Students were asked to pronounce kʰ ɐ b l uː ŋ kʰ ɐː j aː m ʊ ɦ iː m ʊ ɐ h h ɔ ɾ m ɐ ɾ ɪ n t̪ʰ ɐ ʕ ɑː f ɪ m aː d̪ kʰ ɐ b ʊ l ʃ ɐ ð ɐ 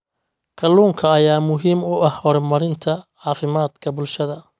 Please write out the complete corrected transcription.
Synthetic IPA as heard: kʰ ɐ l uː ŋ kʰ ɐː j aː m ʊ ɦ iː m ʊ ɐ h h ɔ ɾ m ɐ ɾ ɪ n t̪ʰ ɐ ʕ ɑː f ɪ m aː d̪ kʰ ɐ b ʊ l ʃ ɐ ð ɐ